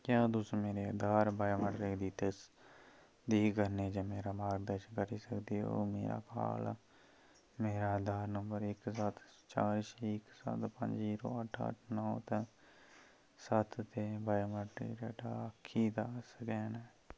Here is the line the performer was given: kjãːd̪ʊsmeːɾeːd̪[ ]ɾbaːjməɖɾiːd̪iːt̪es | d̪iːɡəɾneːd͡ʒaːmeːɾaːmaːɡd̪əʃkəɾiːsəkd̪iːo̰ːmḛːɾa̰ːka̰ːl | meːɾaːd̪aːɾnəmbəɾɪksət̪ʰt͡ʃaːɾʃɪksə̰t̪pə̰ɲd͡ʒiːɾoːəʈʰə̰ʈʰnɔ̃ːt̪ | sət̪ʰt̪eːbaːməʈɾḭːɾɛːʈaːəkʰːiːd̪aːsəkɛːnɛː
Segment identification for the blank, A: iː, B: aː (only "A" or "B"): B